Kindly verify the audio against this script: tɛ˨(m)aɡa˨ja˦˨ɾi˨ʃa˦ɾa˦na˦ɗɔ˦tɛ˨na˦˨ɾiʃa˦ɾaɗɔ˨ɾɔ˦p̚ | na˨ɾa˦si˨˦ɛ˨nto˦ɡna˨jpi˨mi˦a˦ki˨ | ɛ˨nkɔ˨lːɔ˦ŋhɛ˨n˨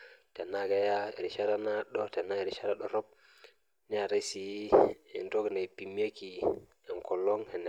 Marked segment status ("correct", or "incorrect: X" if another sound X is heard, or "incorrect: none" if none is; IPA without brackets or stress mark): incorrect: n